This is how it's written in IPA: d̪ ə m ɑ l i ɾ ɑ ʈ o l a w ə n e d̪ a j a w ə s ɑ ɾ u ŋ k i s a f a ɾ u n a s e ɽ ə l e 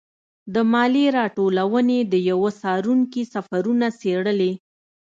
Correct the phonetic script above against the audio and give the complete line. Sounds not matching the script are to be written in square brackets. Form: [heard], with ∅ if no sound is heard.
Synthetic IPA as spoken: d̪ ə m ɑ l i ɾ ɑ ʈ o l a w ə n e d̪ [ə] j a w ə s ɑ ɾ u ŋ k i s a f a ɾ u n a s e ɽ ə l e